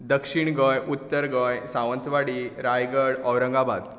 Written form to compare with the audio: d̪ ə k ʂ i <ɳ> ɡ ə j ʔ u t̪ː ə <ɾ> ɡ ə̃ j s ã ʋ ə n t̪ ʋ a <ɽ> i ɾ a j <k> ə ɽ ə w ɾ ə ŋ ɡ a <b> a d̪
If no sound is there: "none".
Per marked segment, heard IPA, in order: ɳ, ɾ, ɽ, ɡ, b

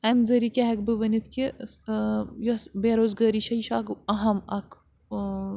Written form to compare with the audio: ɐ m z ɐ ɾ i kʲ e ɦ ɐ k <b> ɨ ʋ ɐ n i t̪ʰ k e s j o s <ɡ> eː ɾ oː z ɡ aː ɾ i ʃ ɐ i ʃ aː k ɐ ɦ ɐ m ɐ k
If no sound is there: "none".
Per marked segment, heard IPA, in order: b, b

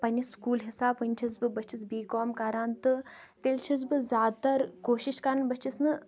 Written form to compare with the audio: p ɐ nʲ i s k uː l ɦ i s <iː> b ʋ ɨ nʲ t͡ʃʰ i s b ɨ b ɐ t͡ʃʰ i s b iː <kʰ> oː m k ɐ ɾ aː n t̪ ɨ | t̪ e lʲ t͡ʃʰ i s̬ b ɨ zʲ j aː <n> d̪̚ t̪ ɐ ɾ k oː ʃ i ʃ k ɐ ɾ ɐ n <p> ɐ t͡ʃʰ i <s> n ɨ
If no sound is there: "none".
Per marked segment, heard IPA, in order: aː, k, none, b, s

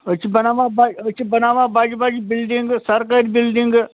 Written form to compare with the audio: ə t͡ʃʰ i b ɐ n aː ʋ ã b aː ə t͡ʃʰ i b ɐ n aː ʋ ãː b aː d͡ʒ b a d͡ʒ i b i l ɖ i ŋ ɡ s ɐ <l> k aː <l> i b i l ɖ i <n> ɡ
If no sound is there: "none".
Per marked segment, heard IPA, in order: ɾ, ɾ, ŋ

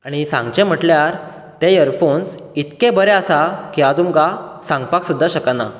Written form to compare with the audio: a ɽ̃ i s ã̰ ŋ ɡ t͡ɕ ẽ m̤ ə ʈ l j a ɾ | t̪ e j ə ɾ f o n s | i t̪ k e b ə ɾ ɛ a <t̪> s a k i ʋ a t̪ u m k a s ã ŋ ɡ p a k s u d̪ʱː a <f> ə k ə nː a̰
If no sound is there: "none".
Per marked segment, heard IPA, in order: none, ɕ

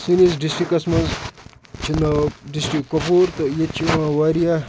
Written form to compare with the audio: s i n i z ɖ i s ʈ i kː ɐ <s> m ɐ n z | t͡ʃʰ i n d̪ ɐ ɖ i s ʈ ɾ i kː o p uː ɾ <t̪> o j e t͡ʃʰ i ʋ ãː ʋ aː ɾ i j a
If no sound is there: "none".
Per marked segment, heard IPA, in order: s, t̪

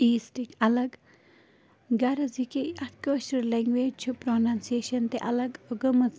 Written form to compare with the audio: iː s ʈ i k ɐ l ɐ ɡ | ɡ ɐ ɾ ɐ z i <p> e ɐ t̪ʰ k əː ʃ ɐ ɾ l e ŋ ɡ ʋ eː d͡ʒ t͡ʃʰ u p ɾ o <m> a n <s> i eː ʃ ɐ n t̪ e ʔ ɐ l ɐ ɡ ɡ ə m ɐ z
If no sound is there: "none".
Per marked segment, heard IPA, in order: k, n, s

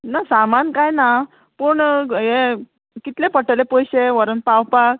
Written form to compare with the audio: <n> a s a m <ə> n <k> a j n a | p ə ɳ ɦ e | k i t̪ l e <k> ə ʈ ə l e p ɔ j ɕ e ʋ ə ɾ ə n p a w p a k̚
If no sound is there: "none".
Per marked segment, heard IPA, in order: n, a, k, p

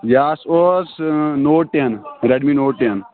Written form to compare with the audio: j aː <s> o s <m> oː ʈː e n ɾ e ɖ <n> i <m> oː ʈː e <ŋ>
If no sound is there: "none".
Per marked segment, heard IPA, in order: s, n, m, n, n

